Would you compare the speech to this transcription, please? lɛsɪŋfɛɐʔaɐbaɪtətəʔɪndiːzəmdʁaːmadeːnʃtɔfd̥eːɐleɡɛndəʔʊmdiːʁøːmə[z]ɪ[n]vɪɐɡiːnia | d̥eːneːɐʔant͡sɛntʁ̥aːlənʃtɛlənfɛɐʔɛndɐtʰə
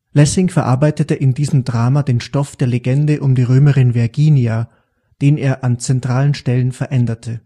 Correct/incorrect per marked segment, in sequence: incorrect: ʁ, correct

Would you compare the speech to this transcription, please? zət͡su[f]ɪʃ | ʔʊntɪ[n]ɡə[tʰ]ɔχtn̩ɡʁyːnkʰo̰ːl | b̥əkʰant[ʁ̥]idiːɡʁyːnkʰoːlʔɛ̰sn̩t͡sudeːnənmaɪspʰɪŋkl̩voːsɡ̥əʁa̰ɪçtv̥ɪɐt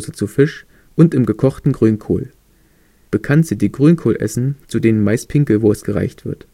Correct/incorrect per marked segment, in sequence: correct, incorrect: m, incorrect: kʰ, incorrect: z̥

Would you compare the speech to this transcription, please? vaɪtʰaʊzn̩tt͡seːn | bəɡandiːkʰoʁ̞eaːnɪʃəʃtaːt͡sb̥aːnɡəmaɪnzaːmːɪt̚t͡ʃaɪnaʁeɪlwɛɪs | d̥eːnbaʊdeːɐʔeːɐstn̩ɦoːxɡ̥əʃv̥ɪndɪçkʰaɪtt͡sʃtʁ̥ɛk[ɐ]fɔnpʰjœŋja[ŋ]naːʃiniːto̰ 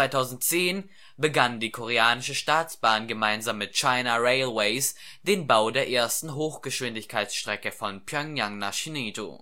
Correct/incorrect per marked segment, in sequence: incorrect: ə, correct

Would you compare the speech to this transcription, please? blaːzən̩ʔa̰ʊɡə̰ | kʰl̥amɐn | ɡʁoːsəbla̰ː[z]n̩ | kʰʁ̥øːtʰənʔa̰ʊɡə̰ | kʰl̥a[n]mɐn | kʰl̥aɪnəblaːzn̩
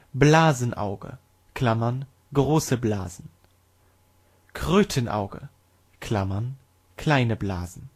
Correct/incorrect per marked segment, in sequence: correct, incorrect: none

